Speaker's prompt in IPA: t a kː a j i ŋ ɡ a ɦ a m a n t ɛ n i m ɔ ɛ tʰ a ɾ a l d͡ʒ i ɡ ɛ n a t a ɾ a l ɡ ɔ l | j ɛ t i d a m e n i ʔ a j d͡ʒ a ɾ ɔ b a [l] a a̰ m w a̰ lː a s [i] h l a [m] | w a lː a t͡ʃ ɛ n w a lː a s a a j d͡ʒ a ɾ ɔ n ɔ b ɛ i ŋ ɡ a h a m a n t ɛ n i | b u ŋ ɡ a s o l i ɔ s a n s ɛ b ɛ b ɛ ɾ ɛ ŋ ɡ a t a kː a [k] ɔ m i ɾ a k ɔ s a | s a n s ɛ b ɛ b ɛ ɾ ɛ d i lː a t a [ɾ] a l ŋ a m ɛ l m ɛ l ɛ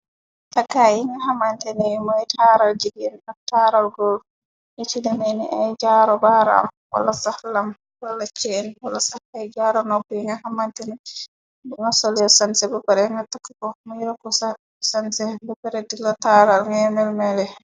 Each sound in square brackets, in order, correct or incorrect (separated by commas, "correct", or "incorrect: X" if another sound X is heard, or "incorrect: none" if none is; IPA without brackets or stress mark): incorrect: ɾ, incorrect: a, correct, correct, correct